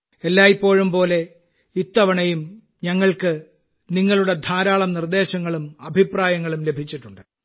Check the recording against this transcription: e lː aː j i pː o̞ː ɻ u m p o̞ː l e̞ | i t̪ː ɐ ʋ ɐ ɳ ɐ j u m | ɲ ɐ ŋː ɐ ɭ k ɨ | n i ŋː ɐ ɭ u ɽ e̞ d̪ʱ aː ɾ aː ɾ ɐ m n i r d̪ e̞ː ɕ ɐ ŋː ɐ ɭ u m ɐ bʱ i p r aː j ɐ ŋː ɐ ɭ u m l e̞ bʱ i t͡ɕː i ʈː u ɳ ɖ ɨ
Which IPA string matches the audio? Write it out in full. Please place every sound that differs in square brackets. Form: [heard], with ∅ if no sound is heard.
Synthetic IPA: e lː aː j i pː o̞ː ɻ u m p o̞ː l e̞ | i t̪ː ɐ ʋ ɐ ɳ ɐ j u m | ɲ ɐ ŋː ɐ ɭ k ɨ | n i ŋː ɐ ɭ u ɽ e̞ d̪ʱ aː ɾ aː [ɭ] ɐ m n i r d̪ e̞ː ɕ ɐ ŋː ɐ ɭ u m ɐ bʱ i p r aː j ɐ ŋː ɐ ɭ u m l e̞ bʱ i t͡ɕː i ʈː u ɳ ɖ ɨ